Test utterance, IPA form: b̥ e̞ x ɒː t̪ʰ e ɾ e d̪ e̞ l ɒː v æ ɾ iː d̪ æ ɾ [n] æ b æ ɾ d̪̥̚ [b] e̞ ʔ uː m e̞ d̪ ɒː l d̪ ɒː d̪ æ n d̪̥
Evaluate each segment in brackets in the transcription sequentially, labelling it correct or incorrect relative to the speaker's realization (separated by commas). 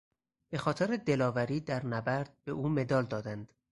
correct, correct